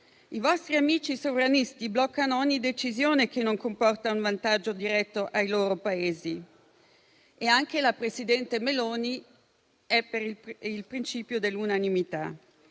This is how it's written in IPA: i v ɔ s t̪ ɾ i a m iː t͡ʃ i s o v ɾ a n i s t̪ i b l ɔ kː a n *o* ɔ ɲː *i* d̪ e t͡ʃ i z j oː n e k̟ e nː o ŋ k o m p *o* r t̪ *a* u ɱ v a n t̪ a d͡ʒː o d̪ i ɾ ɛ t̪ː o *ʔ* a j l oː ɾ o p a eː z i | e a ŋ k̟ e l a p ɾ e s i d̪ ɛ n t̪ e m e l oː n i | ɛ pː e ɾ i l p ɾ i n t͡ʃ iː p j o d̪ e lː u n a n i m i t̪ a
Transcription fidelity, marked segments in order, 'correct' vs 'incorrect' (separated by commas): correct, correct, incorrect, correct, correct